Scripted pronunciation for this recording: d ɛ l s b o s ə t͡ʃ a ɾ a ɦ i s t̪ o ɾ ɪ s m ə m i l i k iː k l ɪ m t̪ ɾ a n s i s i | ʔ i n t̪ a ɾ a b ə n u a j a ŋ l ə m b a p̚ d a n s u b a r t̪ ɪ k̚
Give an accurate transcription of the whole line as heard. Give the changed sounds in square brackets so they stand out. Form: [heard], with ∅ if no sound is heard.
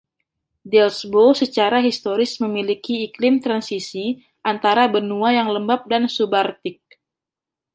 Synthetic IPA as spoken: d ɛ l s b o s ə t͡ʃ a ɾ a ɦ i s t̪ o ɾ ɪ s m ə m i l i k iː k l ɪ m t̪ ɾ a n s i s i | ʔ [a] n t̪ a ɾ a b ə n u a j a ŋ l ə m b a p̚ d a n s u b a r t̪ ɪ k̚